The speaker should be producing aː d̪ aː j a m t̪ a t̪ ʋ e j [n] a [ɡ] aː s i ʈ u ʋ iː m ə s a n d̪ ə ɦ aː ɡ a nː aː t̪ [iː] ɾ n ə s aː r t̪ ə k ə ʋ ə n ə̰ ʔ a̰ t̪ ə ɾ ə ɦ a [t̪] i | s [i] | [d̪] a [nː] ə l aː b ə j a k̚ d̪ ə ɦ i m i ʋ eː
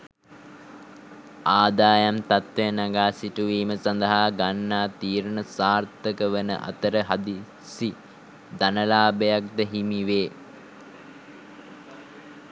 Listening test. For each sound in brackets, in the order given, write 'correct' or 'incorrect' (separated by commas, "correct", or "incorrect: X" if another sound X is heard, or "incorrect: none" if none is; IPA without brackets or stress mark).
correct, correct, correct, incorrect: d̪, correct, correct, incorrect: n